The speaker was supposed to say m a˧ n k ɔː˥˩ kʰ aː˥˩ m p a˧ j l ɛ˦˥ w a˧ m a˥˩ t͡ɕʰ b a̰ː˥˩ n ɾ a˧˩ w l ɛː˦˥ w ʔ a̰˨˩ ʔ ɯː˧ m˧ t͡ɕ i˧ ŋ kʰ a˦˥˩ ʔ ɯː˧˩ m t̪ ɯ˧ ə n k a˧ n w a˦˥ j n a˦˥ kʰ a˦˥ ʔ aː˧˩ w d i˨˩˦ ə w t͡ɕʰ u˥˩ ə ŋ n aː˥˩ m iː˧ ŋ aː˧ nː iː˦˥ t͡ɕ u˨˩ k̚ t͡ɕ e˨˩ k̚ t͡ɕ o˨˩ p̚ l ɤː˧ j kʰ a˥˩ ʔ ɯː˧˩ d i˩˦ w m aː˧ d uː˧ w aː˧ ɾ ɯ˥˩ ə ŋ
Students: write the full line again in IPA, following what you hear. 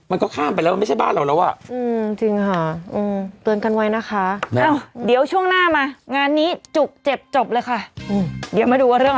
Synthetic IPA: m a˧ n k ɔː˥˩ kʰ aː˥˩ m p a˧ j l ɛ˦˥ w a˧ m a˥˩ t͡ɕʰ b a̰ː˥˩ n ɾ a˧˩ w l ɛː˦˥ w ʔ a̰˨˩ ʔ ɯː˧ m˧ t͡ɕ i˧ ŋ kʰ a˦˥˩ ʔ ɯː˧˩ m t̪ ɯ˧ ə n k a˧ n w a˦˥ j n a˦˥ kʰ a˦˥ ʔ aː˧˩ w d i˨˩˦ ə w t͡ɕʰ u˥˩ ə ŋ n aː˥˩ m aː˧ ŋ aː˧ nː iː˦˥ t͡ɕ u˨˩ k̚ t͡ɕ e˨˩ p̚ t͡ɕ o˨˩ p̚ l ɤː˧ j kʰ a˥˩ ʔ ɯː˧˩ d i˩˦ w m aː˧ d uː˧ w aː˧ ɾ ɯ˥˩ ə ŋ